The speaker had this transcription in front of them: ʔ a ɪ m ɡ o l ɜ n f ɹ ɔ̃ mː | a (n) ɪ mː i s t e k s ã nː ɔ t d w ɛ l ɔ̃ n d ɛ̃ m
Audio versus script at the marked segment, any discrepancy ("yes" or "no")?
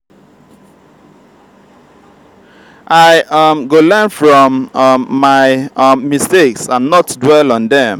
yes